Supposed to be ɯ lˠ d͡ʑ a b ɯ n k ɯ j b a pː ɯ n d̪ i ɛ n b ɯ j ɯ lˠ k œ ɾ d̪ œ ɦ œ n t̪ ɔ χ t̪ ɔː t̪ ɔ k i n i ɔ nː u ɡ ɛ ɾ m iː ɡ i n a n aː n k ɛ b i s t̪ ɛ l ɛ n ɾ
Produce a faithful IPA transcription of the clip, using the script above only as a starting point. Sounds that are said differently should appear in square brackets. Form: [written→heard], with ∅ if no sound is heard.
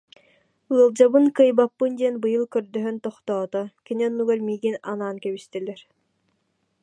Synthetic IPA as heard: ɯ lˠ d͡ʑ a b ɯ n k ɯ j b a pː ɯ n d̪ i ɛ n b ɯ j ɯ lˠ k œ ɾ d̪ œ ɦ œ n t̪ ɔ χ t̪ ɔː t̪ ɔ k i n i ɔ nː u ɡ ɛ ɾ m iː ɡ i n a n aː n k ɛ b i s t̪ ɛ l ɛ [n→∅] ɾ